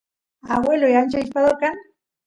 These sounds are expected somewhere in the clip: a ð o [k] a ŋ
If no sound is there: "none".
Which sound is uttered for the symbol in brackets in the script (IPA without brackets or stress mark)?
k